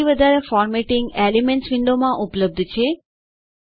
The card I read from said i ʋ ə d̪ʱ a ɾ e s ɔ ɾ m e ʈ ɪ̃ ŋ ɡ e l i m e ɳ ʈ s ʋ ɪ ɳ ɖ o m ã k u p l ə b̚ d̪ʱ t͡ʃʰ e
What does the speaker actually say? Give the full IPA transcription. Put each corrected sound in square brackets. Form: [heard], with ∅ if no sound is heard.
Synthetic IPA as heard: i ʋ ə d̪ʱ a ɾ e [f] ɔ ɾ m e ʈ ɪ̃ ŋ ɡ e l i m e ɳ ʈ s ʋ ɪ ɳ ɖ o m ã [ʔ] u p l ə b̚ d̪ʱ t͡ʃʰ e

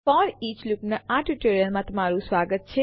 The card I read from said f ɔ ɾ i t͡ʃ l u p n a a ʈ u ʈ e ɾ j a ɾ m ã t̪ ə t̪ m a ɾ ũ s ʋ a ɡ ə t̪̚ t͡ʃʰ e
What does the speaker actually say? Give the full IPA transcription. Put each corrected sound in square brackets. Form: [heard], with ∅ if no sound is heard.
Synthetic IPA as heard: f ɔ ɾ i t͡ʃ l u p n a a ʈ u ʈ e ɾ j [ə] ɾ m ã t̪ ə [∅] m a ɾ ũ s ʋ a ɡ ə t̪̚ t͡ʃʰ e

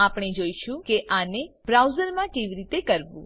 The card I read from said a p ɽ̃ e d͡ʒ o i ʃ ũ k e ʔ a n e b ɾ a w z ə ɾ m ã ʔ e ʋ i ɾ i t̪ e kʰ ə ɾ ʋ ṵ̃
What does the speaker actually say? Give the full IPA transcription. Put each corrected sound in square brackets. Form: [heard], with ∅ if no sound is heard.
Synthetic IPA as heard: a p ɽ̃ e d͡ʒ o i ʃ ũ k e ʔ a n e b ɾ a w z ə ɾ m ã [k] e ʋ i ɾ i t̪ e [k] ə ɾ ʋ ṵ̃

